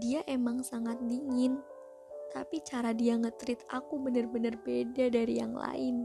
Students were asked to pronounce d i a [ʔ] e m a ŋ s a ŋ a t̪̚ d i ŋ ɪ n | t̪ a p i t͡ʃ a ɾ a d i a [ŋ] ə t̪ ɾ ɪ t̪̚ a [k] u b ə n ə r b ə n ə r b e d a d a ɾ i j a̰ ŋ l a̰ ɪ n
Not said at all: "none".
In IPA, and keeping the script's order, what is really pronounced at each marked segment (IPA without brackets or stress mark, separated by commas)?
ʔ, ŋ, k